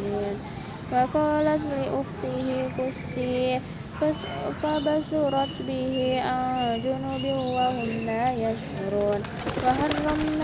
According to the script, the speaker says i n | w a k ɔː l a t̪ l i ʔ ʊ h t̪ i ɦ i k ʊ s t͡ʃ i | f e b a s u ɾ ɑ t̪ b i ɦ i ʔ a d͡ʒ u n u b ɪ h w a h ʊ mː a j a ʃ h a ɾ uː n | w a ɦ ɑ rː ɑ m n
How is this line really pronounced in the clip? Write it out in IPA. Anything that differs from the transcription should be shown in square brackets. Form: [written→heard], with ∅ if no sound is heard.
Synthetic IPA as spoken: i n | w a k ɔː l a t̪ l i ʔ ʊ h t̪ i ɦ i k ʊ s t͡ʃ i | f [e→a] b a s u ɾ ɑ t̪ b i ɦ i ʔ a d͡ʒ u n u b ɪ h w a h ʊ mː a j a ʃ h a ɾ uː n | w a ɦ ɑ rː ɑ m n